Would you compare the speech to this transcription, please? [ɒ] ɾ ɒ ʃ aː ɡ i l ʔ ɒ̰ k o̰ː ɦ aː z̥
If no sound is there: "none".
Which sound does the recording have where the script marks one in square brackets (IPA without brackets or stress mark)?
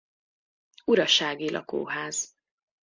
u